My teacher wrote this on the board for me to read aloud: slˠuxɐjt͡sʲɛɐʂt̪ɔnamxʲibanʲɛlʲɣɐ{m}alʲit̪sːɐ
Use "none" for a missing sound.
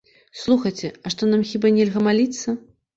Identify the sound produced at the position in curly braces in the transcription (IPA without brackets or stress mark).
m